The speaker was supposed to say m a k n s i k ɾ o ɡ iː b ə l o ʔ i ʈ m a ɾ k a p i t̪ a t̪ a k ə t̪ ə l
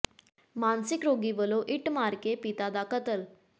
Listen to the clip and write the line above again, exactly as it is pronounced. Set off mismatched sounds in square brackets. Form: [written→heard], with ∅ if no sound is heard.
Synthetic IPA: m a [k→∅] n s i k ɾ o ɡ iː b ə l o ʔ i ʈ m a ɾ k [a→e] p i t̪ a [t̪→d̪] a k ə t̪ ə l